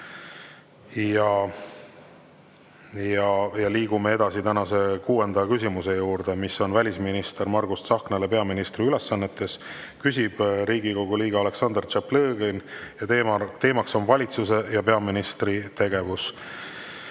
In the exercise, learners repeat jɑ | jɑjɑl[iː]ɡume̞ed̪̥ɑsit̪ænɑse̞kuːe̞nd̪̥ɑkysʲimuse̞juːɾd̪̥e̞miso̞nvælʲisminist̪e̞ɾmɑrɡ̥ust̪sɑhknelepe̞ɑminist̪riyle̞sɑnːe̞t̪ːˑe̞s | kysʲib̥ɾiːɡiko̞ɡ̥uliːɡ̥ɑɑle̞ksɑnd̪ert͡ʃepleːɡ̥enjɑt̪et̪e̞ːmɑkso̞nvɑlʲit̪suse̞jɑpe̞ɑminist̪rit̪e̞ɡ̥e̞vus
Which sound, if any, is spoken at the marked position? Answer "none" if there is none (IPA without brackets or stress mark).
iː